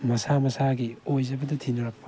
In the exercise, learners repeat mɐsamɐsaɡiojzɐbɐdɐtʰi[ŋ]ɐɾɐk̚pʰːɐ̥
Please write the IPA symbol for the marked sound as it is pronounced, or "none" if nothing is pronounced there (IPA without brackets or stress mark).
n